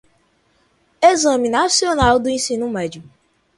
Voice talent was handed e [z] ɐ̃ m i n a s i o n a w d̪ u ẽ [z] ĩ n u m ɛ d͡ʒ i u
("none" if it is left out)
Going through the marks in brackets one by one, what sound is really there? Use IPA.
z, s

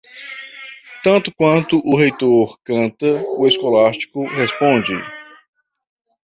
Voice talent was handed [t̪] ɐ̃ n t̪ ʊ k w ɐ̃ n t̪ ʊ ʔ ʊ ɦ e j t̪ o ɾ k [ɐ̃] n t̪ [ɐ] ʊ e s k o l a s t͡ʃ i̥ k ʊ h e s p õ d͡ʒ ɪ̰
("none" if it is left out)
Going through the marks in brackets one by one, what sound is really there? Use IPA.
t̪, ɐ̃, ɐ

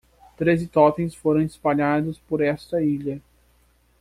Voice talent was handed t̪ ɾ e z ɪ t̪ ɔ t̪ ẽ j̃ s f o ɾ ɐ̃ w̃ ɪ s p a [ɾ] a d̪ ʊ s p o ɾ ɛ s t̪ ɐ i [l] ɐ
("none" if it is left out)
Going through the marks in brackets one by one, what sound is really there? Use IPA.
ʎ, ʎ

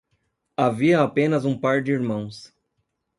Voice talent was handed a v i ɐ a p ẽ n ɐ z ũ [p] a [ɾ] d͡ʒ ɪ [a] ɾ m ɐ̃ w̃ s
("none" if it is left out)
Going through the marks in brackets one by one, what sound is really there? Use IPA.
p, ɾ, i

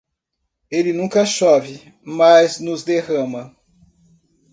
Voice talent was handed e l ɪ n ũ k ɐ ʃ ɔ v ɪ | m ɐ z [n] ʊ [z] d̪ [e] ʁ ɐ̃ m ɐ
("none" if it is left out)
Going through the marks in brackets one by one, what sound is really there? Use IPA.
n, z, e

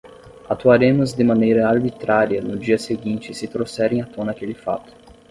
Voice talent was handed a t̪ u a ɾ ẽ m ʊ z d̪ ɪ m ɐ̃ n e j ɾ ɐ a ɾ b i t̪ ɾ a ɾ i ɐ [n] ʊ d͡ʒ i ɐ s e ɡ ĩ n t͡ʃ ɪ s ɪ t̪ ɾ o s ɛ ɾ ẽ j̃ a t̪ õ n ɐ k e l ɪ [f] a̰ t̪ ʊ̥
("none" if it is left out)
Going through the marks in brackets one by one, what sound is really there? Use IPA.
n, f

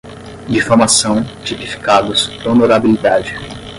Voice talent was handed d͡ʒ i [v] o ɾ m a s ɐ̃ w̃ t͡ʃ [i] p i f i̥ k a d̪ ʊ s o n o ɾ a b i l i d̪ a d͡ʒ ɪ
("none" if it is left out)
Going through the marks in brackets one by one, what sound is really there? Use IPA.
f, i

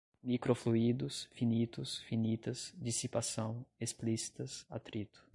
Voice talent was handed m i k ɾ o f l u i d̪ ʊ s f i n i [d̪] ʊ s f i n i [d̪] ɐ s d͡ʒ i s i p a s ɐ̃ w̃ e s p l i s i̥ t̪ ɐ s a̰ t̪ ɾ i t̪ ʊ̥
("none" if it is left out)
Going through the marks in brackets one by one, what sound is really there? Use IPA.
t̪, t̪

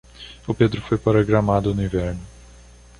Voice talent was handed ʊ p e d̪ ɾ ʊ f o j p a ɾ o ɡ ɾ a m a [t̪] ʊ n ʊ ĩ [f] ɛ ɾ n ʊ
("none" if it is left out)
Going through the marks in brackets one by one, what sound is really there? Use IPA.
d̪, v

